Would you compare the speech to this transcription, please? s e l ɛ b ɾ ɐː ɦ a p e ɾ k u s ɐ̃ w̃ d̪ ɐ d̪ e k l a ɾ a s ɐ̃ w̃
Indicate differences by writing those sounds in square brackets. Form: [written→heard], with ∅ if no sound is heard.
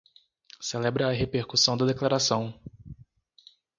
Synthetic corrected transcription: s e l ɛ b ɾ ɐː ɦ [a→e] p e ɾ k u s ɐ̃ w̃ d̪ ɐ d̪ e k l a ɾ a s ɐ̃ w̃